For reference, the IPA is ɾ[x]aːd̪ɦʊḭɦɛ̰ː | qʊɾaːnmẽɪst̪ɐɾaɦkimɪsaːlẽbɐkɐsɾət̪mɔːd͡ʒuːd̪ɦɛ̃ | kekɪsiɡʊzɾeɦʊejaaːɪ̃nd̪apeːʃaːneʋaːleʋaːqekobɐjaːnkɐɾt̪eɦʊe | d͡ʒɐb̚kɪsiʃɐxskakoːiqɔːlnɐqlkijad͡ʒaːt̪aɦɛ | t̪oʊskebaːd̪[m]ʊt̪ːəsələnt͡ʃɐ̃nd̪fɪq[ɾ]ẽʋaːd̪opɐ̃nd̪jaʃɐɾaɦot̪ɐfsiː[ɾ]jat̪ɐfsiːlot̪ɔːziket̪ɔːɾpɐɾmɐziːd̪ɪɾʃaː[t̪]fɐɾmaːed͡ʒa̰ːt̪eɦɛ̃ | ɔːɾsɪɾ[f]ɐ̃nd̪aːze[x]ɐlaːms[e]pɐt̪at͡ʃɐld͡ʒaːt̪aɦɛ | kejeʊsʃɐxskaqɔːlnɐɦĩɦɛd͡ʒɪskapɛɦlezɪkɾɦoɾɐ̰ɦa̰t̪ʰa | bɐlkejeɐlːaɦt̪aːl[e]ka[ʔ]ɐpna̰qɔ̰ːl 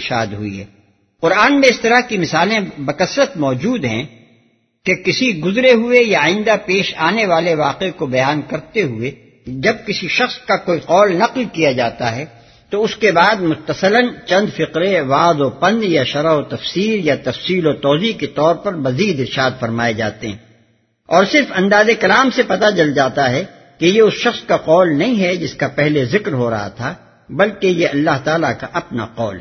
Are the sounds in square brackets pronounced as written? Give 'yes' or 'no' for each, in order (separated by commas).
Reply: no, yes, yes, yes, no, yes, no, yes, no, yes